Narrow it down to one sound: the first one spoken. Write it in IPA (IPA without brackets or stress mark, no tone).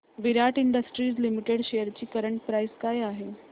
ʋ